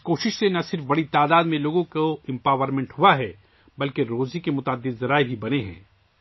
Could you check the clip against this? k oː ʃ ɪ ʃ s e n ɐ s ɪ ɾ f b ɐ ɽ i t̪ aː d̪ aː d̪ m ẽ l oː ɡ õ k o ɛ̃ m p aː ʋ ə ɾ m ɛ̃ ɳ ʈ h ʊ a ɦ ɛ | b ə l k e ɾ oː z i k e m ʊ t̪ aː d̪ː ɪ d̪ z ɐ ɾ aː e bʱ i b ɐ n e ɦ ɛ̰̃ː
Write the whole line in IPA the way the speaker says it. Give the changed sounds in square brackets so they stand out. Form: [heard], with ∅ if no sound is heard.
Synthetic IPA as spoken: k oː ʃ ɪ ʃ s e n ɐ s ɪ ɾ f b ɐ ɽ i t̪ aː d̪ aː d̪ m ẽ l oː ɡ õ k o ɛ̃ m p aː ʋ ə ɾ m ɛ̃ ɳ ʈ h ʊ a ɦ ɛ | b [ɐ] l k e ɾ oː z i k e m ʊ t̪ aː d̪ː ɪ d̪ z ɐ ɾ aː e bʱ i b ɐ n e ɦ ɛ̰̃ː

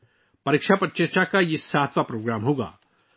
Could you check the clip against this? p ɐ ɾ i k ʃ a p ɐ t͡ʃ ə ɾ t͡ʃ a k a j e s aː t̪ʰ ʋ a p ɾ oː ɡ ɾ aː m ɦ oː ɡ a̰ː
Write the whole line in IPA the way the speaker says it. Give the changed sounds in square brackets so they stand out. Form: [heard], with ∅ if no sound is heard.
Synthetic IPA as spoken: p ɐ ɾ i k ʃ a p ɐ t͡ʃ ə ɾ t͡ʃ a k a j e s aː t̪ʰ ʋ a p ɾ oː ɡ ɾ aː m ɦ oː ɡ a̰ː

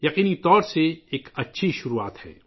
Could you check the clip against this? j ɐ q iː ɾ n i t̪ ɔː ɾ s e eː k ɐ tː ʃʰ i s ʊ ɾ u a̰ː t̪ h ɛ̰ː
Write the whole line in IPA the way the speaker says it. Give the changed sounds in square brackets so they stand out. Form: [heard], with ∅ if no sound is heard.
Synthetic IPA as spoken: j ɐ q iː [∅] n i t̪ ɔː ɾ s e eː k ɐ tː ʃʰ i [ʃ] ʊ ɾ u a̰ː t̪ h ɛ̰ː

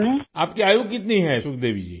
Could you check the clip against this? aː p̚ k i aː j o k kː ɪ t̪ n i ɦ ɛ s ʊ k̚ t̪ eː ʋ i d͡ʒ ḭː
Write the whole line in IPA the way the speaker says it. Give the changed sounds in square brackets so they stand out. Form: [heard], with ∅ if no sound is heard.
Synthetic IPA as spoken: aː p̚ k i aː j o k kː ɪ t̪ n i ɦ ɛ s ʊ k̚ [d̪] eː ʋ i d͡ʒ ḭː

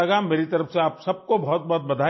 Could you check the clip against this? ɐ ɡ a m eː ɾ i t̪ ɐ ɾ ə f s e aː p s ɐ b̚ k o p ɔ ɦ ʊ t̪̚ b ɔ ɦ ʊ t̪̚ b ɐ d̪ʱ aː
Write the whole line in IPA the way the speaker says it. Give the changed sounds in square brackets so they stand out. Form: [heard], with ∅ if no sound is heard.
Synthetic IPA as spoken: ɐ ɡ a m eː ɾ i t̪ ɐ ɾ ə f s e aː p s ɐ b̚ k o [b] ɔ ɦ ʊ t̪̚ b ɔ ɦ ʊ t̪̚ b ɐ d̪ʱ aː

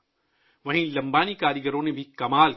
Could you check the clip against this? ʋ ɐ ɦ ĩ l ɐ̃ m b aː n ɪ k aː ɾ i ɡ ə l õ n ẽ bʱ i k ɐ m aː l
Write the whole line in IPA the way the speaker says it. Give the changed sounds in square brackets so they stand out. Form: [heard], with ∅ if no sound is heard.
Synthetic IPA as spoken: ʋ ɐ ɦ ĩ l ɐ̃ m b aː n [i] k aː ɾ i ɡ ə [ɾ] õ n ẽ bʱ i k ɐ m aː l

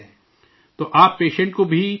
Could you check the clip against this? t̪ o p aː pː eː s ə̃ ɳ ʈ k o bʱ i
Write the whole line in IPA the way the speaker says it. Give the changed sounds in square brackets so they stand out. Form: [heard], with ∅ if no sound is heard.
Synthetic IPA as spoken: t̪ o [ʔ] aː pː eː [ʃ] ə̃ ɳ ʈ k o bʱ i

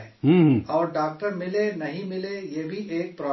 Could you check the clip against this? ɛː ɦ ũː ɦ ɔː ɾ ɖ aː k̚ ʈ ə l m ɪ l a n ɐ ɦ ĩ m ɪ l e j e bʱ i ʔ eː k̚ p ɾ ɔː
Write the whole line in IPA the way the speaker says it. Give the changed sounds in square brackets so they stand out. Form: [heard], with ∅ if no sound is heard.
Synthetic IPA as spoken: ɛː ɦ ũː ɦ ɔː ɾ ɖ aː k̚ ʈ ə [ɾ] m ɪ l [e] n ɐ ɦ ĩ m ɪ l e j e bʱ i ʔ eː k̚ p ɾ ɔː

